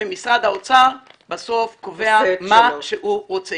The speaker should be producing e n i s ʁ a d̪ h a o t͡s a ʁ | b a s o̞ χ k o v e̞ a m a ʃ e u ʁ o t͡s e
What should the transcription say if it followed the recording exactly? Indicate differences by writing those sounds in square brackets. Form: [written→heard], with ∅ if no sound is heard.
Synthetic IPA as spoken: e [n→m] i s ʁ a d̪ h a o t͡s a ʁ | b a s o̞ [χ→f] k o v e̞ a m a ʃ e u ʁ o t͡s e

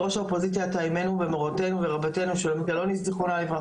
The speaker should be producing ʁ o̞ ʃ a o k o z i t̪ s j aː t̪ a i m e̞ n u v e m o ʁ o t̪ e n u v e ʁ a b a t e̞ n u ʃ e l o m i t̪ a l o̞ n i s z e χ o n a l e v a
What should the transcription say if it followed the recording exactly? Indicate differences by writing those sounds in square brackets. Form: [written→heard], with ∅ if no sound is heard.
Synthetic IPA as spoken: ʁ o̞ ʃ a o [k→p] o z i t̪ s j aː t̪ a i m e̞ n u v e m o ʁ o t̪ e n u v e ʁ a b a t e̞ n u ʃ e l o m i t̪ a l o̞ n i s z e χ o n a l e v a

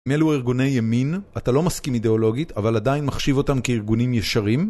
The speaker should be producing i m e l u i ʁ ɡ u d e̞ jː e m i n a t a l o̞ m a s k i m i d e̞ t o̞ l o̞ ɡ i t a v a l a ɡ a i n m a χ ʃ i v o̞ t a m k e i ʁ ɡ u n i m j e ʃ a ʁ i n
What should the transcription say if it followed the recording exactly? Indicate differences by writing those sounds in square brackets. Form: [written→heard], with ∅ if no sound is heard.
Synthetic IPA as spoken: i m e l u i ʁ ɡ u [d→n] e̞ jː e m i n a t a l o̞ m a s k i m i d e̞ [t→∅] o̞ l o̞ ɡ i t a v a l a [ɡ→d] a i n m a χ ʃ i v o̞ t a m k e i ʁ ɡ u n i m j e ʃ a ʁ i [n→m]

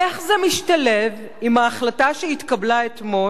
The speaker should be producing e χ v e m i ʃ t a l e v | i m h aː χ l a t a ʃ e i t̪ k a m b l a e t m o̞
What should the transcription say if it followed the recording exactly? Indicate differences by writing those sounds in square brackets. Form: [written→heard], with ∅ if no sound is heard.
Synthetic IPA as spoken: e χ [v→z] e m i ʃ t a l e v | i m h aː χ l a t a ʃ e i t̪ k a [m→∅] b l a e t m o̞

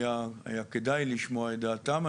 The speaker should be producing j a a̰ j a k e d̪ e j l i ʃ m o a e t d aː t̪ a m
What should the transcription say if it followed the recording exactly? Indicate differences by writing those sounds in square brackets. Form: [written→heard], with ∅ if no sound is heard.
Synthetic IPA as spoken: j a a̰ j a k e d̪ [e→a] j l i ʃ m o a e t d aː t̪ a m

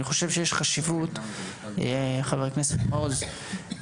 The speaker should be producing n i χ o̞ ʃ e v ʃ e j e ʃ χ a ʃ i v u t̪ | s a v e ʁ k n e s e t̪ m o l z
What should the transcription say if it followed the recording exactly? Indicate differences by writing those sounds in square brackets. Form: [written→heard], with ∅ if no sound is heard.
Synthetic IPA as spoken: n i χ o̞ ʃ e v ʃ e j e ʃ χ a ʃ i v u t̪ | [s→χ] a v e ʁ k n e s e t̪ m o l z

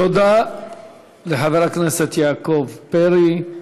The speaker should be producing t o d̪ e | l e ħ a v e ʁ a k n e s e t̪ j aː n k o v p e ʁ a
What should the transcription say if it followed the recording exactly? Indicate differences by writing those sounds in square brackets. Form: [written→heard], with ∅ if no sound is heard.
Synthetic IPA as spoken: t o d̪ [e→a] | l e ħ a v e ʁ a k n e s e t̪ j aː [n→∅] k o v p e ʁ [a→i]

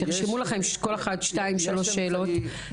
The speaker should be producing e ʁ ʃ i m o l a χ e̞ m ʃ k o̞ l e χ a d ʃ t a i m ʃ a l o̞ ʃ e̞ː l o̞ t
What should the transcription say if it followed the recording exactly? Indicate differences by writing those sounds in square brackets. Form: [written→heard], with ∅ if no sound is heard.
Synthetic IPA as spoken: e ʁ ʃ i m [o→u] l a χ e̞ m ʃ k o̞ l e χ a d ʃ t a i m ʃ a l o̞ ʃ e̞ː l o̞ t

